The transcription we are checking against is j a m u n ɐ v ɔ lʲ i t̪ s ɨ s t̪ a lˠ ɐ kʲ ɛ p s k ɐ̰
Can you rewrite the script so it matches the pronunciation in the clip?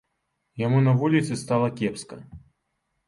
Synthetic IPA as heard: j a m u n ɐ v u lʲ i t̪ s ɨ s t̪ a lˠ ɐ kʲ ɛ p s k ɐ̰

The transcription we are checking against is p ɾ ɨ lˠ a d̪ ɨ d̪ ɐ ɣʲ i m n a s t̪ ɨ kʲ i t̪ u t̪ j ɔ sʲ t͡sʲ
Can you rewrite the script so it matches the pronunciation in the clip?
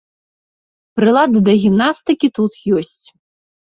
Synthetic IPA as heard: p ɾ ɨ lˠ a d̪ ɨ d̪ ɐ ɣʲ i m n a s t̪ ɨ kʲ i t̪ u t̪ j ɔ sʲ t͡sʲ

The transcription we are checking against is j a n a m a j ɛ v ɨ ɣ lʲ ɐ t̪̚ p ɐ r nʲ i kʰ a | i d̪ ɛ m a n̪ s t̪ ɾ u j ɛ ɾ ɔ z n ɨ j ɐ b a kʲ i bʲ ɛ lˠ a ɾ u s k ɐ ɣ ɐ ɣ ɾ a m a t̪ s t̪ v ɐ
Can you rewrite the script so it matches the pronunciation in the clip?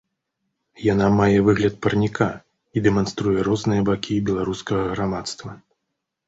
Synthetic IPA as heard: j a n a m a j ɛ v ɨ ɣ lʲ ɐ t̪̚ p ɐ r nʲ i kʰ a | i d̪ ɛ m a n̪ s t̪ ɾ u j ɛ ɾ ɔ z n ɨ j ɐ b a kʲ i bʲ ɛ lˠ a ɾ u s k ɐ ɣ ɐ ɣ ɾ a m a t̪ s t̪ v ɐ

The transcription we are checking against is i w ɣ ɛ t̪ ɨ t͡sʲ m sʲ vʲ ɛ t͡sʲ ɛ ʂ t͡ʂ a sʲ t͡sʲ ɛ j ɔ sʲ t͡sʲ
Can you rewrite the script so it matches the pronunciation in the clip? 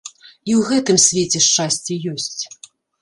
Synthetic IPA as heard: i w ɣ ɛ t̪ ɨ m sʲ vʲ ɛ t͡sʲ ɛ ʂ t͡ʂ a sʲ t͡sʲ ɛ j ɔ sʲ t͡sʲ

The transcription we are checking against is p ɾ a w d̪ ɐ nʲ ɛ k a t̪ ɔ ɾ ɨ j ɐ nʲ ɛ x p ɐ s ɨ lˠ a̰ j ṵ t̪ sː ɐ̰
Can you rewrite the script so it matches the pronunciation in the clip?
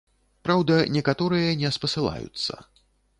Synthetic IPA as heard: p ɾ a w d̪ ɐ nʲ ɛ k a t̪ ɔ ɾ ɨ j ɐ nʲ ɛ s p ɐ s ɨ lˠ a̰ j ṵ t̪ sː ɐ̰

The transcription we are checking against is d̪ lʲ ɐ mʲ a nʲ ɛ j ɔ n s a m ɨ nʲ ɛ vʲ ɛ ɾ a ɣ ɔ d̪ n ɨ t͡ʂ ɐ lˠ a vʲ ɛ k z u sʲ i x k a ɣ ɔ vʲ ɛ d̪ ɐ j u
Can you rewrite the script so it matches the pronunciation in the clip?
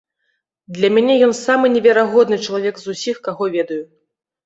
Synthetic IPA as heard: d̪ lʲ ɐ mʲ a nʲ ɛ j ɔ n s a m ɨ nʲ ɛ vʲ ɛ ɾ a ɣ ɔ d̪ n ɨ t͡ʂ ɐ lˠ a vʲ ɛ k z u sʲ i x k a ɣ ɔ vʲ ɛ d̪ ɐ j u

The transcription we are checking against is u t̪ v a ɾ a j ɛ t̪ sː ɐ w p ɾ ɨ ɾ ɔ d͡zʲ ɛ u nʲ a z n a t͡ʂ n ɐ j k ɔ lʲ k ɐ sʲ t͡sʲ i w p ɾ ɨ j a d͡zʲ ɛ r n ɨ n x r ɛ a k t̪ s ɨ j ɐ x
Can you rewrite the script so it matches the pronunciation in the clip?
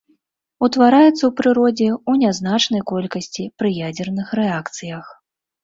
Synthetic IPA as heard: u t̪ v a ɾ a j ɛ t̪ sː ɐ w p ɾ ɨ ɾ ɔ d͡zʲ ɛ u nʲ a z n a t͡ʂ n ɐ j k ɔ lʲ k ɐ sʲ t͡sʲ i p ɾ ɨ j a d͡zʲ ɛ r n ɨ x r ɛ a k t̪ s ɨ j ɐ x

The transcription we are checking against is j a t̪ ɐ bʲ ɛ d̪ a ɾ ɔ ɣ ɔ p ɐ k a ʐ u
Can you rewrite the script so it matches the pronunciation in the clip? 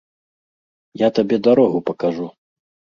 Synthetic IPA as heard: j a t̪ a bʲ ɛ d̪ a ɾ ɔ ɣ u p ɐ k a ʐ u

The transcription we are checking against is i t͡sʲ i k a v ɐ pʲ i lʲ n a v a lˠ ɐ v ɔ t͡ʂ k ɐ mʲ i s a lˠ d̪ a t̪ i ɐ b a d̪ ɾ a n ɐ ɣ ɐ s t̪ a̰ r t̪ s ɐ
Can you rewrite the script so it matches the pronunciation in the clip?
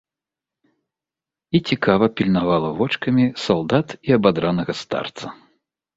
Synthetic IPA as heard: i t͡sʲ i k a v ɐ pʲ i lʲ n a v a lˠ ɐ v ɔ t͡ʂ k ɐ mʲ i s a lˠ d̪ a t̪ i ɐ b a d̪ ɾ a n ɐ ɣ ɐ s t̪ a̰ r t̪ s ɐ

